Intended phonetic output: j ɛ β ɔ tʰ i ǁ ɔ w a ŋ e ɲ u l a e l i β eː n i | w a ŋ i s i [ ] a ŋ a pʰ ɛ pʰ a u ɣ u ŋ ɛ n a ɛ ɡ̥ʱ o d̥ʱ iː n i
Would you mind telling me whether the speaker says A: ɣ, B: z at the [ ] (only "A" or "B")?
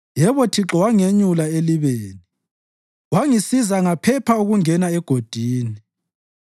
B